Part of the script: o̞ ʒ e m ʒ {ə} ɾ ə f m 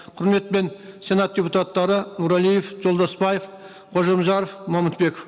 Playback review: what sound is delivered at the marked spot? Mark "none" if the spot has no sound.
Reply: ɑ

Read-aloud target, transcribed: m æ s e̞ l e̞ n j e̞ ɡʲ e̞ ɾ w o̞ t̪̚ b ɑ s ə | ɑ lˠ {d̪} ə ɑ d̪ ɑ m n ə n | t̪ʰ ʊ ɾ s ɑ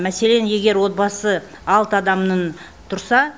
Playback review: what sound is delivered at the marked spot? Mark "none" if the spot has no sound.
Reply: t̪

